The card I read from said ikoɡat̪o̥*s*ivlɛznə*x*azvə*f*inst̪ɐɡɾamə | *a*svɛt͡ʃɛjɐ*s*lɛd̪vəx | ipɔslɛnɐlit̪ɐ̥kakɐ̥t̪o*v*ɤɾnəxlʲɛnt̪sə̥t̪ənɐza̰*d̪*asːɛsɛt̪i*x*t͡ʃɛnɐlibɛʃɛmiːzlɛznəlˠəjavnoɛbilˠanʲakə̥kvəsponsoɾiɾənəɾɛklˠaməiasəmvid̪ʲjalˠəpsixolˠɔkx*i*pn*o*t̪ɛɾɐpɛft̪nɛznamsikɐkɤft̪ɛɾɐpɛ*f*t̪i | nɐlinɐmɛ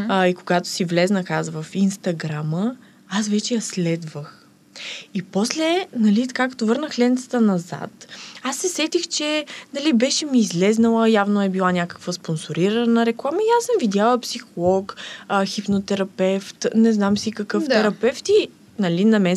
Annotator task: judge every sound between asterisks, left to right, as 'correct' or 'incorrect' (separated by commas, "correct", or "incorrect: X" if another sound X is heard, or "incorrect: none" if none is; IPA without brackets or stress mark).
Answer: correct, correct, correct, correct, correct, correct, incorrect: t̪, correct, correct, correct, correct